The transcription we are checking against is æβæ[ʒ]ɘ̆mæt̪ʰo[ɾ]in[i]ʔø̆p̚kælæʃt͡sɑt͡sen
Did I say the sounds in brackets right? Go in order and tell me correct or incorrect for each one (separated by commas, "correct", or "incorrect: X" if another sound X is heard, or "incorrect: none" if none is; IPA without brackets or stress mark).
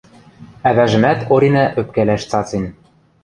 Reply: correct, correct, incorrect: æ